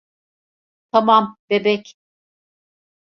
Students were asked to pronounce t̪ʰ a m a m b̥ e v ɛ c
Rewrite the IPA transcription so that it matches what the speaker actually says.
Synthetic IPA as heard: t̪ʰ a m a m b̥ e b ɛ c